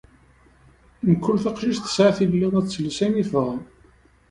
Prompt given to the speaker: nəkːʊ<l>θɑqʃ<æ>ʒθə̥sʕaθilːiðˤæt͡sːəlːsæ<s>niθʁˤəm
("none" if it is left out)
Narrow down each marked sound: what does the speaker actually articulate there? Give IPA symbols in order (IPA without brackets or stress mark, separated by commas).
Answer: l, i, none